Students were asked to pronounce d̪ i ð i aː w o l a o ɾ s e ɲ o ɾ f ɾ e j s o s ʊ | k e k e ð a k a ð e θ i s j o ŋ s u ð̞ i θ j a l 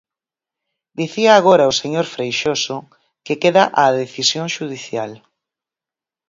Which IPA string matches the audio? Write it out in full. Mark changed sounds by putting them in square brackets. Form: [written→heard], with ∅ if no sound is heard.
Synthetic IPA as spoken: d̪ i [ð→θ] i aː [w→ɣ] o [l→ɾ] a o [ɾ→∅] s e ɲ o ɾ f ɾ e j [s→ʃ] o s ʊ | k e k e ð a [k→ʔ] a ð e θ i s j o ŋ [s→ʃ] u ð̞ i θ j a l